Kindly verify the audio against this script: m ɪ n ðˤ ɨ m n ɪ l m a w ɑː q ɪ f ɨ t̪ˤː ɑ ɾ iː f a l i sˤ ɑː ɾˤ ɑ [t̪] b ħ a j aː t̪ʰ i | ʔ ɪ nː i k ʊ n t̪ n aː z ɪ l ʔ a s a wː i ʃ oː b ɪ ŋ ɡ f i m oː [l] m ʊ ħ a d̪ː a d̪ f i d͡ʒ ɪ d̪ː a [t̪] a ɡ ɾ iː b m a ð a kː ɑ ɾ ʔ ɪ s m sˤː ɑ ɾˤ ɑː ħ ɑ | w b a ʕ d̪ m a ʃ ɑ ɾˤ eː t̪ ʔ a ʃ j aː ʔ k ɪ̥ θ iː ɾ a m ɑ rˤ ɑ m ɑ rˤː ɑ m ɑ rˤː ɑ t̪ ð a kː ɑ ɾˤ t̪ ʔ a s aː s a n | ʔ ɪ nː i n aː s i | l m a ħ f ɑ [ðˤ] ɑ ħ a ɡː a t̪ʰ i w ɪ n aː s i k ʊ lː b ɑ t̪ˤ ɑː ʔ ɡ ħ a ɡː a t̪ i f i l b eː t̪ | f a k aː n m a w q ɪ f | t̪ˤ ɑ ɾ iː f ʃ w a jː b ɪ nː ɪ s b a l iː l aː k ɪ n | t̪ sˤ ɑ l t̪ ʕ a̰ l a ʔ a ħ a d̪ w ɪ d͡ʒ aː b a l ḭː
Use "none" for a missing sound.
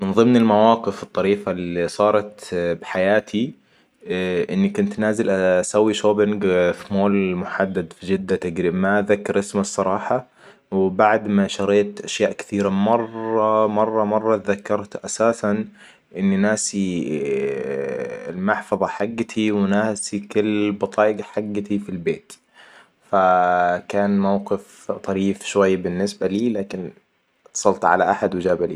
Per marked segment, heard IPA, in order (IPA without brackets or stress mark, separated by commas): t̪, l, t̪, ðˤ